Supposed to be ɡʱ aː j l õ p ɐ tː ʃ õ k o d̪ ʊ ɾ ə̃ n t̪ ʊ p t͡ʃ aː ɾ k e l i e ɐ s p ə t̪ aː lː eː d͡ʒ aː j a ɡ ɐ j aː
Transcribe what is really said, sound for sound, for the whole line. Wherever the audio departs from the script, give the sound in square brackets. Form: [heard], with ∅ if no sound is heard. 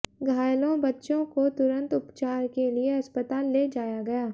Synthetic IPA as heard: ɡʱ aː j l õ [b] ɐ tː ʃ õ k o [t̪] ʊ ɾ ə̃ n t̪ ʊ p t͡ʃ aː ɾ k e l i e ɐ s p ə t̪ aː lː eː d͡ʒ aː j a ɡ ɐ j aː